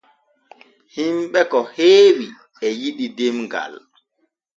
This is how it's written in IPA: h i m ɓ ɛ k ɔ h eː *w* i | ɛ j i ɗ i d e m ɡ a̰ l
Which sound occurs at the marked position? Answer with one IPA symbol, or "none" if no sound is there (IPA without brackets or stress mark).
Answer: w